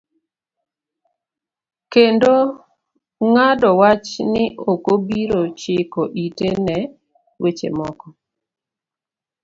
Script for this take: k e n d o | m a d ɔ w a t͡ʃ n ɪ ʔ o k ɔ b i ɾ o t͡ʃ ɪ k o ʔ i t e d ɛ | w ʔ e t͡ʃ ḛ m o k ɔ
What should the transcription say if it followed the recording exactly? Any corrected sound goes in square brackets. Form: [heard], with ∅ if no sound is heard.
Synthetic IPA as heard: k e n d o | [ŋ] a d ɔ w a t͡ʃ n ɪ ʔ o k [o] b i ɾ o t͡ʃ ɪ k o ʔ i t e [n] ɛ | w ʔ e t͡ʃ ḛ m [ɔ] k ɔ